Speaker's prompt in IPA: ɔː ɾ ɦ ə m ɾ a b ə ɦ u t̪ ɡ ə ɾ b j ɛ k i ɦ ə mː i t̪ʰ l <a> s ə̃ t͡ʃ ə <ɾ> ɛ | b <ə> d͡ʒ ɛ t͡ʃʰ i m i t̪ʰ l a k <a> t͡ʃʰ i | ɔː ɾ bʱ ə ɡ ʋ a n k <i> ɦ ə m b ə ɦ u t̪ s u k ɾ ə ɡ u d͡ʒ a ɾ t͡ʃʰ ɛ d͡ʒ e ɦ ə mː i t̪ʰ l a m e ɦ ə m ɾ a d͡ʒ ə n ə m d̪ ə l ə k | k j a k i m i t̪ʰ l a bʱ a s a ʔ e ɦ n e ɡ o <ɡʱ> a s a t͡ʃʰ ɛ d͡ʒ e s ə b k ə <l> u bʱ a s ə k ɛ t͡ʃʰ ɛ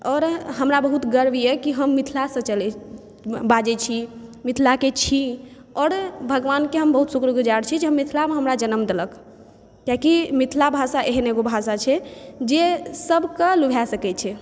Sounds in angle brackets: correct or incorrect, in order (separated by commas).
correct, incorrect, incorrect, incorrect, incorrect, incorrect, correct